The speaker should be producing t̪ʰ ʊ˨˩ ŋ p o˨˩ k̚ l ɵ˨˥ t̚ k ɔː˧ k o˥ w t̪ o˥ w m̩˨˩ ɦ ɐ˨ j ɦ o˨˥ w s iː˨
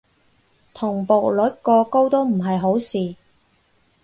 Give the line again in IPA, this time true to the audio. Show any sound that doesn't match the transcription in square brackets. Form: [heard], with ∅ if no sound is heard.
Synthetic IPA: t̪ʰ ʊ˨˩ ŋ p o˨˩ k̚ l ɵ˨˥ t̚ k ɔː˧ k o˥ w t̪ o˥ w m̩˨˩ ɦ ɐ˨ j ɦ o˨˥ w s iː˨